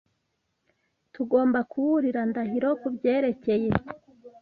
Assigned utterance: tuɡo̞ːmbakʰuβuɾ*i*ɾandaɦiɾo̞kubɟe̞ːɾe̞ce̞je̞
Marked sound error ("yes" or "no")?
no